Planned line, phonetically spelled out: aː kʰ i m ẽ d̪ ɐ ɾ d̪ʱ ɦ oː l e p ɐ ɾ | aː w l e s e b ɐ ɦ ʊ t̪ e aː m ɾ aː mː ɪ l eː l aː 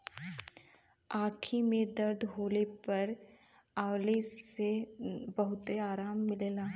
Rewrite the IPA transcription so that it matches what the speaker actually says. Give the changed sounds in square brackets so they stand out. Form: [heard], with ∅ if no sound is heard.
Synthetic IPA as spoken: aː kʰ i m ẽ d̪ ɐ ɾ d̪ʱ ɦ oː l e p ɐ ɾ | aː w l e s e b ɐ ɦ ʊ t̪ e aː [∅] ɾ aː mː ɪ l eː l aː